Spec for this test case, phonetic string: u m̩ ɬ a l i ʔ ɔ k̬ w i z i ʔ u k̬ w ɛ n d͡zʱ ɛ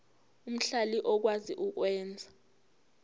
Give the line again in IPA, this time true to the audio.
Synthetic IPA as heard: u m̩ ɬ a l i ʔ ɔ k̬ w a z i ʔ u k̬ w ɛː n d͡zʱ a